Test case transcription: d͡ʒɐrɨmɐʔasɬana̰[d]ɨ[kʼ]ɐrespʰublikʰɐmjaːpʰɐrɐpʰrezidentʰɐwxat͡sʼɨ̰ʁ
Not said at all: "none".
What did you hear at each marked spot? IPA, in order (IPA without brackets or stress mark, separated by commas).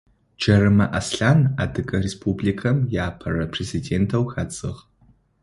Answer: d, kʼ